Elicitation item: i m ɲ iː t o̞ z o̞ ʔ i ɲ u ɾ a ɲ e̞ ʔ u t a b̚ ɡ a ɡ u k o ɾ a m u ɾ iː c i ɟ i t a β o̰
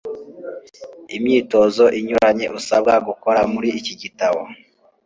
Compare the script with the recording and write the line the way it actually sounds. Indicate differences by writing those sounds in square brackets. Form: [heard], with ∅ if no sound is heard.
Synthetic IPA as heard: i m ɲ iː t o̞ z o̞ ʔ i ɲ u ɾ a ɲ e̞ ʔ u [s] a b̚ ɡ a ɡ u k o ɾ a m u ɾ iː c i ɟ i t a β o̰